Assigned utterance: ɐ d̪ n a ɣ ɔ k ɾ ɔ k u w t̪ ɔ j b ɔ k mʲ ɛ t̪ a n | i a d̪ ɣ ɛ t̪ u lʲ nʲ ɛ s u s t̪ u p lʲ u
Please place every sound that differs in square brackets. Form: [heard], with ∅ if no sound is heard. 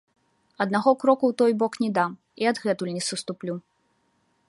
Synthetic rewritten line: ɐ d̪ n a ɣ ɔ k ɾ ɔ k u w t̪ ɔ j b ɔ k [nʲ] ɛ [d̪] a [m] | i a d̪ ɣ ɛ t̪ u lʲ nʲ ɛ s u s t̪ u p lʲ u